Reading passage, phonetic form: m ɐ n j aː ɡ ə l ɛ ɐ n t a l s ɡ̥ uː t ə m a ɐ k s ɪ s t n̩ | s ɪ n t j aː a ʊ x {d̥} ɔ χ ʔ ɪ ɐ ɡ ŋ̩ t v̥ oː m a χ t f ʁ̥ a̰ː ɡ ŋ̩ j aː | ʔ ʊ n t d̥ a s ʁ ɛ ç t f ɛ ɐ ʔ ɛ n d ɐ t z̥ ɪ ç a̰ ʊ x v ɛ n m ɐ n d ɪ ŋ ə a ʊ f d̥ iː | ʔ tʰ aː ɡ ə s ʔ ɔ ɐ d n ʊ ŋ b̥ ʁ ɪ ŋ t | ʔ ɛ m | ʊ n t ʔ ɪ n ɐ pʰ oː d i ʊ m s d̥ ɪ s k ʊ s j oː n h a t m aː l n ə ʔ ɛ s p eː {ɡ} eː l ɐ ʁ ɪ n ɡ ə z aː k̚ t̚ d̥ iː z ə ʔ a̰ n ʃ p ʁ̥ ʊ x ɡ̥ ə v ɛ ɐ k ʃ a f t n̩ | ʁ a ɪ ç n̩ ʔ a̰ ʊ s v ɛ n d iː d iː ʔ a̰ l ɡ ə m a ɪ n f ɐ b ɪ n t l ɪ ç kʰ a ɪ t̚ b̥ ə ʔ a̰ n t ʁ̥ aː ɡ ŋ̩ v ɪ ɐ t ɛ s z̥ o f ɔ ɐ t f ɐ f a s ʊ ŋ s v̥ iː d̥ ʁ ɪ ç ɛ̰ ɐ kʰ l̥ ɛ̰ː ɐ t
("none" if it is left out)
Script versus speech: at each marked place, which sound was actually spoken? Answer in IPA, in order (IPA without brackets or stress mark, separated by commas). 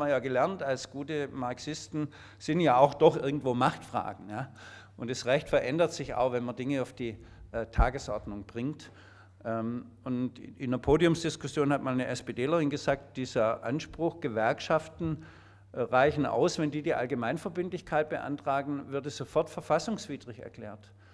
d̥, d